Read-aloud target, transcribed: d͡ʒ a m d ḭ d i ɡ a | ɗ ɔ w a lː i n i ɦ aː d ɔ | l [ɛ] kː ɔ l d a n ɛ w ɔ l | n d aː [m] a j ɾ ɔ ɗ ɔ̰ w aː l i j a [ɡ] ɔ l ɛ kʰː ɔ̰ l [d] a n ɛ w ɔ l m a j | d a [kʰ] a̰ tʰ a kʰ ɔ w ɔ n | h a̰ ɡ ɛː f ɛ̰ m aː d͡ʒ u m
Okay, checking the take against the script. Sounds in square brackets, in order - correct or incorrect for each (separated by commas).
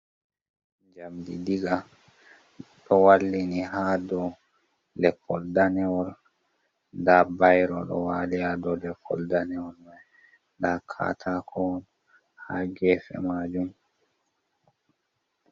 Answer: correct, incorrect, incorrect, correct, correct